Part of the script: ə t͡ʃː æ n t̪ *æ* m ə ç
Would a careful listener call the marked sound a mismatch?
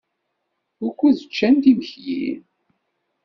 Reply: yes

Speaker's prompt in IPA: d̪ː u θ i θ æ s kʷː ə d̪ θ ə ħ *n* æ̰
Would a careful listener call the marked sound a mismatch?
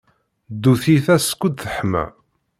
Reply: yes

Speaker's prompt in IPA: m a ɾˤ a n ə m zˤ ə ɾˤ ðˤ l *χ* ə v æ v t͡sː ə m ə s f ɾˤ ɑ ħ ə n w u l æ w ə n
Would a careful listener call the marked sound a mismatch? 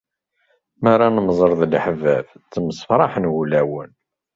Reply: yes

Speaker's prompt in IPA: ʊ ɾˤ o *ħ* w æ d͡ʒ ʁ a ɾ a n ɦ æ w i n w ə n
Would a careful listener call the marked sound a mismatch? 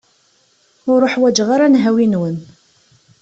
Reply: no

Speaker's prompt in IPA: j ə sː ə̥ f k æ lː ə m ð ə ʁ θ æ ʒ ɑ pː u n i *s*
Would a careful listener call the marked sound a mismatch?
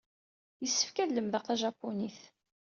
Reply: yes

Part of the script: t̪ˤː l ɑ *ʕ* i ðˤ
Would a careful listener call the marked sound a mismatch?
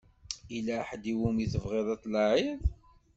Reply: no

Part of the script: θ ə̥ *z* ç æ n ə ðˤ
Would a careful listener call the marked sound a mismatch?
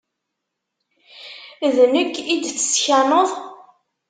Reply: yes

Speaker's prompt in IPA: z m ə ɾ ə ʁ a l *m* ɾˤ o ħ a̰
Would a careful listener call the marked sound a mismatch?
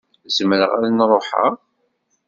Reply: yes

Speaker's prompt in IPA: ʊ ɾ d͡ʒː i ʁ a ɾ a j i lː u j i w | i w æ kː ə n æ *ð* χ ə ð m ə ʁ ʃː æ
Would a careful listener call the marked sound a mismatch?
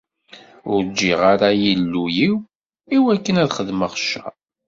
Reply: no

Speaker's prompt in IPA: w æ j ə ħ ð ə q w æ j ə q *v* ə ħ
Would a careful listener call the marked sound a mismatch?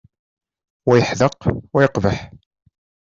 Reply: no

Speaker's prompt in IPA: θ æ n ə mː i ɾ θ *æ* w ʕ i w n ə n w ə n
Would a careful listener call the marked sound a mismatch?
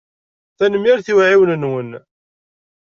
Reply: yes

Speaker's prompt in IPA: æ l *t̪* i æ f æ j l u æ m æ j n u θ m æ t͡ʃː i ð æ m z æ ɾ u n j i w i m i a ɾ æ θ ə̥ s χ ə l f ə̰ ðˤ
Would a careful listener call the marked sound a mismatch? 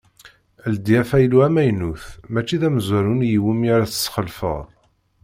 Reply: yes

